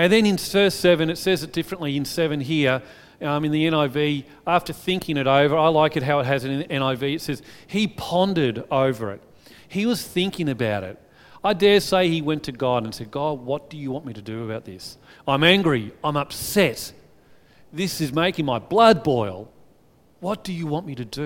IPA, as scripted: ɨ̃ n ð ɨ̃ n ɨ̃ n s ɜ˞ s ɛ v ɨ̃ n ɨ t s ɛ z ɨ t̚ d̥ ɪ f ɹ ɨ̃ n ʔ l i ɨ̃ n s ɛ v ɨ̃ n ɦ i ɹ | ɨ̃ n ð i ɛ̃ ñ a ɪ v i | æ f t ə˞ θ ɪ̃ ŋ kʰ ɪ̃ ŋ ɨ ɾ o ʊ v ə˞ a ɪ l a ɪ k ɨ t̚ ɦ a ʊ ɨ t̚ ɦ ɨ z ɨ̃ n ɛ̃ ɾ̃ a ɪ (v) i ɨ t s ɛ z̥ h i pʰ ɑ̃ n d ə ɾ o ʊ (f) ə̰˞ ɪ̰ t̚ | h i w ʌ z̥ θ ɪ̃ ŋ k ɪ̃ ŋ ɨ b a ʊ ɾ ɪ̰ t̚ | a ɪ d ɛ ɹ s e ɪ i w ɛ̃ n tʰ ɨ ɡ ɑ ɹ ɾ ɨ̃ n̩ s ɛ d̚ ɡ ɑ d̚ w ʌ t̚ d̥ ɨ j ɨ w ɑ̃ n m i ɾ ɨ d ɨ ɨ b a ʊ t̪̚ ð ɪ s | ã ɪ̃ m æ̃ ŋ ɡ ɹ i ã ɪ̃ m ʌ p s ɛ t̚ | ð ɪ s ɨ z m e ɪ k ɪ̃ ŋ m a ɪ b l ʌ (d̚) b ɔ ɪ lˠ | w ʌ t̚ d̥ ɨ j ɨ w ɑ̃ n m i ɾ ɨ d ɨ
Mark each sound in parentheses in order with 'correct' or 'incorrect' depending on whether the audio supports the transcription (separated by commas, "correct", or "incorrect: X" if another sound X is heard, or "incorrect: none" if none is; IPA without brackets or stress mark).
correct, incorrect: v, correct